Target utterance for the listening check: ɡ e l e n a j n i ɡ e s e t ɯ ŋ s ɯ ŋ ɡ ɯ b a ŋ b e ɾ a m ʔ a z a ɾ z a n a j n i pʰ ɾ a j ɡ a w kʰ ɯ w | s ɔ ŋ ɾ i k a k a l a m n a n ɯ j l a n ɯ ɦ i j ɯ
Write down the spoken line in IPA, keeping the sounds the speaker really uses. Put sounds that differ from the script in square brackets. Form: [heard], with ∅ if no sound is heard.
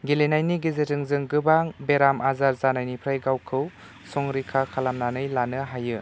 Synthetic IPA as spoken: ɡ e l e n a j n i ɡ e [z] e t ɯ ŋ [z] ɯ ŋ ɡ ɯ b a ŋ b e ɾ a m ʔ a z a ɾ z a n a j n i pʰ ɾ a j ɡ a w kʰ ɯ w | s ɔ ŋ ɾ i [kʰ] a [kʰ] a l a m n a n ɯ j l a n ɯ ɦ [a] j ɯ